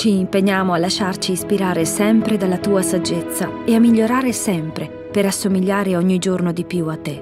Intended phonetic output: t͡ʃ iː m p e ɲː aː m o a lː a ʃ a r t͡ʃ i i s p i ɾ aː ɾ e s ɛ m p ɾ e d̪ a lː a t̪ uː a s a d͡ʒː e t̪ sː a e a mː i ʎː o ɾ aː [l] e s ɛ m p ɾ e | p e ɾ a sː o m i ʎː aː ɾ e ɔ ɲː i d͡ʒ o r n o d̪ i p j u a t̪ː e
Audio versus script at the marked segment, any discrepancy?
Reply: yes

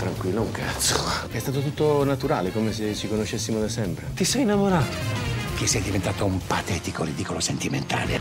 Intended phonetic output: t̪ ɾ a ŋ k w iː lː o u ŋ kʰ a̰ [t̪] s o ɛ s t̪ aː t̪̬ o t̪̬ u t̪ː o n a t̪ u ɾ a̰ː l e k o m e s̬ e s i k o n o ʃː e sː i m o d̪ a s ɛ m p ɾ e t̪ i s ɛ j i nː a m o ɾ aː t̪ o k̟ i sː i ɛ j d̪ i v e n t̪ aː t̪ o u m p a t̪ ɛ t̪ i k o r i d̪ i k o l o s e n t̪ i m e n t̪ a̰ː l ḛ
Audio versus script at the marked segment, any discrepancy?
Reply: no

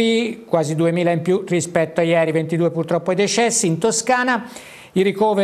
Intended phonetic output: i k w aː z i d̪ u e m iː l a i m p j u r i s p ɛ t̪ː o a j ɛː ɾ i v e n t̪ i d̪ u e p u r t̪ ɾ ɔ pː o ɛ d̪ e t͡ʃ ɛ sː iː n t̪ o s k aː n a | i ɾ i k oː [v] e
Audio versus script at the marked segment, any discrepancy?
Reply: no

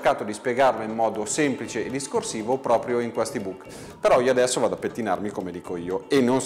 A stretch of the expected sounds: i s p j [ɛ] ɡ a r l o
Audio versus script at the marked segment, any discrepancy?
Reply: yes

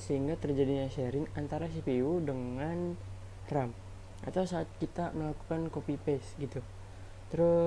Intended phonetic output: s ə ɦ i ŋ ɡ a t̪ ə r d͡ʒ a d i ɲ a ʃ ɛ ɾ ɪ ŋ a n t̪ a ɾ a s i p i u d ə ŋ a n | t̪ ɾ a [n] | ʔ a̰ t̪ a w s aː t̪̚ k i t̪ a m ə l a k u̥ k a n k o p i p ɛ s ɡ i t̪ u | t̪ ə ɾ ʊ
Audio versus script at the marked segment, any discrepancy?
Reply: yes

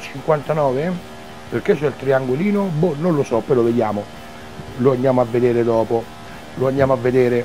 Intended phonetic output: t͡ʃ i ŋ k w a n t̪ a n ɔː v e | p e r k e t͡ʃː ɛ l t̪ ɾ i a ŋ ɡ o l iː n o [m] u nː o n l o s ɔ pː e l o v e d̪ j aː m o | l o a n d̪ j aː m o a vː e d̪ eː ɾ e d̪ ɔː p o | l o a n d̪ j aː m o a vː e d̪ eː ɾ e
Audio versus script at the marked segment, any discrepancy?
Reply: yes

